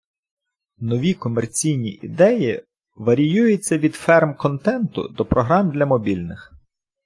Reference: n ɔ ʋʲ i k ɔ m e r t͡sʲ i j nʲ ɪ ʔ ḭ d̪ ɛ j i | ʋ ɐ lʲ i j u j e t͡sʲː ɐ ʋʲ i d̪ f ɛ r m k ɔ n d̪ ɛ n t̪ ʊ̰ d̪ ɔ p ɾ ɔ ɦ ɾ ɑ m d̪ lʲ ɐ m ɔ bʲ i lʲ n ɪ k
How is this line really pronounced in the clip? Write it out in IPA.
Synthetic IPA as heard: n ɔ ʋʲ i k ɔ m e r t͡sʲ i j nʲ i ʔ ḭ d̪ ɛ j i | ʋ ɐ ɾʲ i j u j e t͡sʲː ɐ ʋʲ i d̪ f ɛ r m k ɔ n t̪ ɛ n t̪ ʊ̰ d̪ ɔ p ɾ ɔ ɦ ɾ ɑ m d̪ lʲ ɐ m ɔ bʲ i lʲ n ɪ x